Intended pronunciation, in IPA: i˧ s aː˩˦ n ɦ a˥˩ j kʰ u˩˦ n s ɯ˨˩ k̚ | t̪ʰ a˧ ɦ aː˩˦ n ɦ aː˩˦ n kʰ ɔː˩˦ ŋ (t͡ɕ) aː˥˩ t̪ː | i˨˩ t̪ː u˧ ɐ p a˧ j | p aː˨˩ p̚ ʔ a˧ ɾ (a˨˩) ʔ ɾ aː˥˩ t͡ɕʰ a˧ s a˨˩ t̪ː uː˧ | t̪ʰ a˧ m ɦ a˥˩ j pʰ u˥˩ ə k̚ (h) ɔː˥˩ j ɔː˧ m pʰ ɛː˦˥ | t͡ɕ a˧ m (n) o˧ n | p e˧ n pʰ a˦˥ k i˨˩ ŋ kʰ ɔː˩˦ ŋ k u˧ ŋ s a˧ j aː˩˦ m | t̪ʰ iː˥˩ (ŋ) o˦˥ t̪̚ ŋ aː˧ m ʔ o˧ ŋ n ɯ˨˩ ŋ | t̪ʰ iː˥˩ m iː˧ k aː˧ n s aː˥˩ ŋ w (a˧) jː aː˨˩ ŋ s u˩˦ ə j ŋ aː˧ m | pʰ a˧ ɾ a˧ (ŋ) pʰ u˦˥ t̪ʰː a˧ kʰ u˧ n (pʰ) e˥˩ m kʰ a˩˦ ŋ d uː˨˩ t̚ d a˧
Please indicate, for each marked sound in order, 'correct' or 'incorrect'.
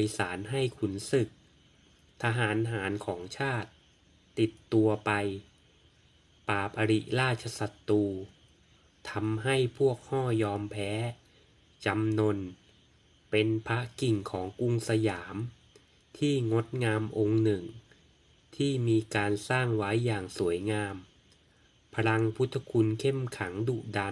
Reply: incorrect, incorrect, correct, correct, correct, incorrect, correct, incorrect

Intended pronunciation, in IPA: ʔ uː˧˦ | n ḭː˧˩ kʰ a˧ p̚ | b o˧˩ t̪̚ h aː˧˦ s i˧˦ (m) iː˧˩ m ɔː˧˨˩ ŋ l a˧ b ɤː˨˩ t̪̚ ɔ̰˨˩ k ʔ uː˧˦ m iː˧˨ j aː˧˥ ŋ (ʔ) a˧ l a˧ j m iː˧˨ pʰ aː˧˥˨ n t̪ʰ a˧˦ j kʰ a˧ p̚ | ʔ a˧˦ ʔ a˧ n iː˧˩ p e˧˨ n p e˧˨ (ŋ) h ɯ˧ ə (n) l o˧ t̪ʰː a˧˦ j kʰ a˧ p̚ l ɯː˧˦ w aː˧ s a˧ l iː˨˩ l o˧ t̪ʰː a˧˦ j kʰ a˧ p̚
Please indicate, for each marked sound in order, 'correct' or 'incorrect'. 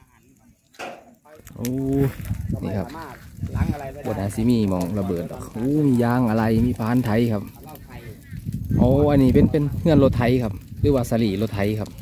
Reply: correct, correct, incorrect, correct

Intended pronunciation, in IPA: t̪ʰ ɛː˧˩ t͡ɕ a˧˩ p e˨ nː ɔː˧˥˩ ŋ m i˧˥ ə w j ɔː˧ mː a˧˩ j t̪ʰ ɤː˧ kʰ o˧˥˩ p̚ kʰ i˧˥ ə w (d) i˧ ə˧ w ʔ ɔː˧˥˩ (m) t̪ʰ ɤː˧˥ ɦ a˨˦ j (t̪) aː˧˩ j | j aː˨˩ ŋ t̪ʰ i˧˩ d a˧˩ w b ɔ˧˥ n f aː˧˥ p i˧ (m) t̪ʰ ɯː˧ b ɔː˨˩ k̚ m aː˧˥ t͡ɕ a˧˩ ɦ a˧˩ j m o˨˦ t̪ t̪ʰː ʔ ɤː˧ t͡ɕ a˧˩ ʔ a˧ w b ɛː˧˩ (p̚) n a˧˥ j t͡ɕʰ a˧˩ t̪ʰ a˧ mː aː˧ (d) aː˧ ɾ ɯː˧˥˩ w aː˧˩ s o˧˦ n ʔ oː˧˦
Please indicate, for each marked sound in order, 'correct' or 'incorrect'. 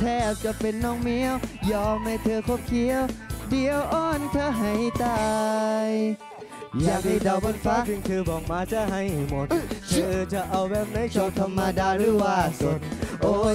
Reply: correct, incorrect, correct, incorrect, correct, correct

